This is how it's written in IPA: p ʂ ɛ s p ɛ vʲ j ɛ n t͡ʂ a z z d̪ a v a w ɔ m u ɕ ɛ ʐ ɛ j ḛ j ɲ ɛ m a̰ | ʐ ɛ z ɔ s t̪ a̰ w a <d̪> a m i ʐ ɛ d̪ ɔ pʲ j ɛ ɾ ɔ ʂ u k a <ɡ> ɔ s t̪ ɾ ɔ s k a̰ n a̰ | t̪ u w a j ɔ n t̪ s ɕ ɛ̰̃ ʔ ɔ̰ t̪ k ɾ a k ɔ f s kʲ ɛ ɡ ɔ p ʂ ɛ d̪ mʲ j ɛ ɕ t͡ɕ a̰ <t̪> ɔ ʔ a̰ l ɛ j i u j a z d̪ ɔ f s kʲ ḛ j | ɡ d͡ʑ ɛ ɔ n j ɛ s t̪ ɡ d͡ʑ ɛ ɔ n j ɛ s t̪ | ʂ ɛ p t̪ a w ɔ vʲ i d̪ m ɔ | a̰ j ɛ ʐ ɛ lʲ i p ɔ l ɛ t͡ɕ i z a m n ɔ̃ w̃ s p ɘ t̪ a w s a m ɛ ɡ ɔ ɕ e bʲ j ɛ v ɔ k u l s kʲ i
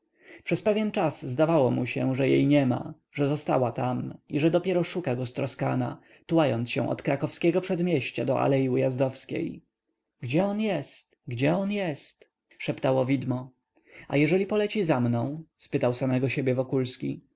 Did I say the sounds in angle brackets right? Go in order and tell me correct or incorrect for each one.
incorrect: t̪, correct, incorrect: d̪

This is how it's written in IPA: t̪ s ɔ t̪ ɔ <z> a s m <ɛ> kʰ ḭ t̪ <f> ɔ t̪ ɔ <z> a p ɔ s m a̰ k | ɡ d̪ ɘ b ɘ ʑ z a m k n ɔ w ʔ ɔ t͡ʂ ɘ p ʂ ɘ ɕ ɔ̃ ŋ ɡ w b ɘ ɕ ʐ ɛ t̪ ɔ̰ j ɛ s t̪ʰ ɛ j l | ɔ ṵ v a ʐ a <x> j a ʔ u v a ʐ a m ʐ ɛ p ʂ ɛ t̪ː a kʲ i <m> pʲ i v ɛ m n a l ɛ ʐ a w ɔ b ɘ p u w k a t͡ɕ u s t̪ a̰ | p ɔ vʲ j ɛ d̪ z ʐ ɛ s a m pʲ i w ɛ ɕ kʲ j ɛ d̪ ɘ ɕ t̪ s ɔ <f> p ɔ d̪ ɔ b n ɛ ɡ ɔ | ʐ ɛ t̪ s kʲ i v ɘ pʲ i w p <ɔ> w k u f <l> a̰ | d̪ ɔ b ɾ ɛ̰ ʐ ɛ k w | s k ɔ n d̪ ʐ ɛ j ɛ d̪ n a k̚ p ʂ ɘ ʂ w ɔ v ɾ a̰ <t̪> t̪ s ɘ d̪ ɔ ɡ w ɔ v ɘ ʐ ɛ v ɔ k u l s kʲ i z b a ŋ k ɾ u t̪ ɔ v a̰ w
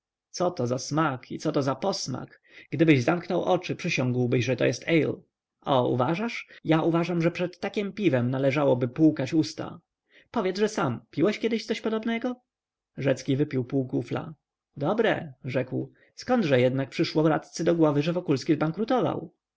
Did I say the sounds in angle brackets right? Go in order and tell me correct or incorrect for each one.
correct, incorrect: a, incorrect: s, correct, incorrect: ʂ, correct, incorrect: ɕ, incorrect: u, correct, correct

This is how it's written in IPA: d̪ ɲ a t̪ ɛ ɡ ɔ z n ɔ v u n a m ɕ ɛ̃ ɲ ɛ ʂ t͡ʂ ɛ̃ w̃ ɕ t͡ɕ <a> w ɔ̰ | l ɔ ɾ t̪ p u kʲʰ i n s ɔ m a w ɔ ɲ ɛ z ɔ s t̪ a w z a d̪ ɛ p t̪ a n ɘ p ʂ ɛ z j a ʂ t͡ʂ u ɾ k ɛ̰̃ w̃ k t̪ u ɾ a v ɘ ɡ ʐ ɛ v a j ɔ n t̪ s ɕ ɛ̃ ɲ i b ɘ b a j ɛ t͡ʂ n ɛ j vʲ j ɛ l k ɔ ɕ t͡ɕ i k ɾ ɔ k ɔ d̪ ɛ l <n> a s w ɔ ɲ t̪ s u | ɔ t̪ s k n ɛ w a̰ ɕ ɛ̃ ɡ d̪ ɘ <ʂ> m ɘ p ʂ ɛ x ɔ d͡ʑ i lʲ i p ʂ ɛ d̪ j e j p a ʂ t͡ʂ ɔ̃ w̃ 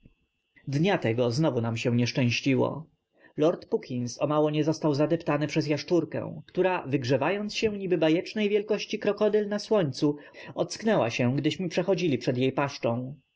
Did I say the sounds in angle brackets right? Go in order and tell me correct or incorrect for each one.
incorrect: i, correct, incorrect: ɕ

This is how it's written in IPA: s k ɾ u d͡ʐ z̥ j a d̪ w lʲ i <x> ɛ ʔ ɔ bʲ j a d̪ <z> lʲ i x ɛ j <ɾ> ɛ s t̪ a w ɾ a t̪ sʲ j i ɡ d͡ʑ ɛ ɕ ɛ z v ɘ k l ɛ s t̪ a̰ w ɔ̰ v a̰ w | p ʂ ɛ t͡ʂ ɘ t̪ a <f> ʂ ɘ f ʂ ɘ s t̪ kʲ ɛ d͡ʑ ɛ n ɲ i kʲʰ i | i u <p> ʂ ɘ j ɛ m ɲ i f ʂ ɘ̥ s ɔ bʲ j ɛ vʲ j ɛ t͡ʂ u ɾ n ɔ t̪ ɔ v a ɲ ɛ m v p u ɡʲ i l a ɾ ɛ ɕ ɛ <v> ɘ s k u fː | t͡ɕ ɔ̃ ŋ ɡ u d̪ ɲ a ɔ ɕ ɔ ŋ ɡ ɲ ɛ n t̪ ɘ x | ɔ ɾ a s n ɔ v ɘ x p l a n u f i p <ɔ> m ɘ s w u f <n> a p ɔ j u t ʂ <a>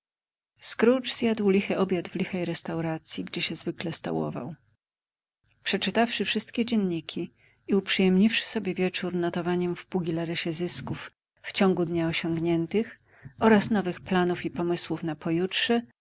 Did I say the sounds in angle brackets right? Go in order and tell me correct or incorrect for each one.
correct, incorrect: v, correct, correct, correct, incorrect: z, correct, correct, incorrect: ɛ

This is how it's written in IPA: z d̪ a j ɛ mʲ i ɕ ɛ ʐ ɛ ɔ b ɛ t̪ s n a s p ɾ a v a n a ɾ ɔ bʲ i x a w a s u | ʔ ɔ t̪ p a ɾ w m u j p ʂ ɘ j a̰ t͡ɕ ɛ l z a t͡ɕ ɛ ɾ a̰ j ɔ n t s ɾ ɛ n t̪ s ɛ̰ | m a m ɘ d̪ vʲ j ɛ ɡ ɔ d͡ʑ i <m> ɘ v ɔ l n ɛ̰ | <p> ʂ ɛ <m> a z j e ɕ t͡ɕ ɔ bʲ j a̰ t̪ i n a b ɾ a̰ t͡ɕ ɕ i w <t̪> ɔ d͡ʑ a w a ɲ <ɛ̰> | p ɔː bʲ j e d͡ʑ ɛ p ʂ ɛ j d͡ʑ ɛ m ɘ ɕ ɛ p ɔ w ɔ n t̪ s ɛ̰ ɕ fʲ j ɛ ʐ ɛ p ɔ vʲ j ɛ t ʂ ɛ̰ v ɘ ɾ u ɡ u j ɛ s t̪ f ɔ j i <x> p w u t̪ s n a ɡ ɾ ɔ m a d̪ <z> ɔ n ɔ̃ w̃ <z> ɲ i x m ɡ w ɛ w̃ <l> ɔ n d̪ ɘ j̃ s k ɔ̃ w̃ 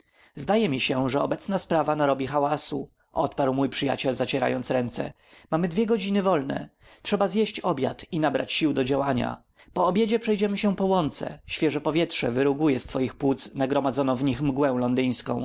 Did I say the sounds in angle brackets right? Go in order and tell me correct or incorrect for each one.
incorrect: n, incorrect: t, incorrect: b, incorrect: d̪, incorrect: a̰, correct, correct, incorrect: v, correct

